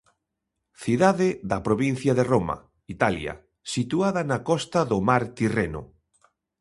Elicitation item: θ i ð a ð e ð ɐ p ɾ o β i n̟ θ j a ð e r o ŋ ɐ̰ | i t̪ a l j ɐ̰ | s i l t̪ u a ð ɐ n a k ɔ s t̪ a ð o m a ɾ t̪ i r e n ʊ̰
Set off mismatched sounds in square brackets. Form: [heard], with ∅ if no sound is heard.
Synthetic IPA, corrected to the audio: θ i ð a ð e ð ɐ p ɾ o β i n̟ θ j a ð e r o [m] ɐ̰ | i t̪ a l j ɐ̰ | s i [∅] t̪ u a ð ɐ n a k ɔ s t̪ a ð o m a ɾ t̪ i r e n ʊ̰